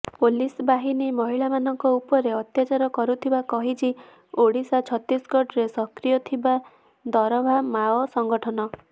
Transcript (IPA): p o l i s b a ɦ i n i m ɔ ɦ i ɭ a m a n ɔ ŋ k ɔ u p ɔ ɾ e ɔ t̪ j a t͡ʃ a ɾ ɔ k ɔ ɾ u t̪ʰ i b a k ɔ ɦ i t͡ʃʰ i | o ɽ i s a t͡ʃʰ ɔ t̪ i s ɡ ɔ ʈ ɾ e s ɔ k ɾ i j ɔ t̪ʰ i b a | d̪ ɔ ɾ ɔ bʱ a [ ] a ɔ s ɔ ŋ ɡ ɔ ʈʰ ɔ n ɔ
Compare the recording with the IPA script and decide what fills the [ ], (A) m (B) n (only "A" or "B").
A